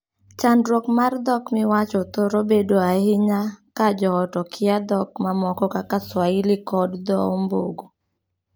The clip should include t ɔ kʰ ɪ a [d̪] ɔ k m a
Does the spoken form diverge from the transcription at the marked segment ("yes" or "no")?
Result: no